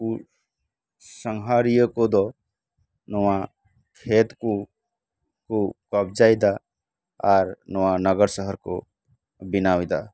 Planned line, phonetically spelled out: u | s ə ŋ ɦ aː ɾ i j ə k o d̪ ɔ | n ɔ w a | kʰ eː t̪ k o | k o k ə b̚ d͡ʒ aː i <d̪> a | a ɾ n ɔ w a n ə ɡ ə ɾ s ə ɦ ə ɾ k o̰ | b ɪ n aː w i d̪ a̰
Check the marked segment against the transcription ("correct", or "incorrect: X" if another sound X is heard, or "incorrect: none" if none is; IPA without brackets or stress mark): correct